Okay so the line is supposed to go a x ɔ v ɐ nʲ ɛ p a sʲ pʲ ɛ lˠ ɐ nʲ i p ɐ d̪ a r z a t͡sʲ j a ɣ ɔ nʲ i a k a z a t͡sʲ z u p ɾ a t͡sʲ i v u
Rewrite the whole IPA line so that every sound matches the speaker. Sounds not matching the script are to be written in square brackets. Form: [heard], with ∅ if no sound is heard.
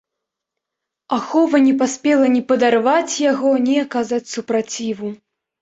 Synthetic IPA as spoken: a x ɔ v ɐ nʲ ɛ p a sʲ pʲ ɛ lˠ ɐ nʲ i p ɐ d̪ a r [v] a t͡sʲ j a ɣ ɔ nʲ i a k a z a t͡sʲ [s] u p ɾ a t͡sʲ i v u